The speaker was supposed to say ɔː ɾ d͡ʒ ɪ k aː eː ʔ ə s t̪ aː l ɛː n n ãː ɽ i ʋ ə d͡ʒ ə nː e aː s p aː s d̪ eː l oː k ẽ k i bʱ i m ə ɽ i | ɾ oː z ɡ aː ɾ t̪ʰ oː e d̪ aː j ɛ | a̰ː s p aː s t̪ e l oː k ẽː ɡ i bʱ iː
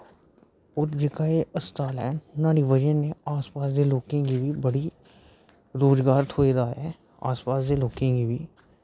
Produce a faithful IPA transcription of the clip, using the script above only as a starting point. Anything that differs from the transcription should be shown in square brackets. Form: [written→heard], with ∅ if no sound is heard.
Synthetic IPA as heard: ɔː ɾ d͡ʒ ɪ k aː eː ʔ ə s t̪ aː l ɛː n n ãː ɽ i ʋ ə d͡ʒ ə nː e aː s p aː s d̪ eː l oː k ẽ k i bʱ i [m→b] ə ɽ i | ɾ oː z ɡ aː ɾ t̪ʰ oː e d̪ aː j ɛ | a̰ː s p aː s [t̪→d̪] e l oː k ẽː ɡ i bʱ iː